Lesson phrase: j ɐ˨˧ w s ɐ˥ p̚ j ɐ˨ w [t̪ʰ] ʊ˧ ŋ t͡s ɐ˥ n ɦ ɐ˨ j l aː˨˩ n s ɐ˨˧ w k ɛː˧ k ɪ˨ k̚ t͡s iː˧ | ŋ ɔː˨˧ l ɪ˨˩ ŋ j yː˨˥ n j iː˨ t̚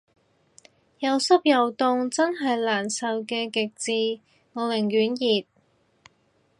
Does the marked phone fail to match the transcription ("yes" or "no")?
yes